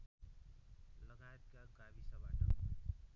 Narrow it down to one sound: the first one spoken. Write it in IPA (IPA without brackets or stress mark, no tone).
l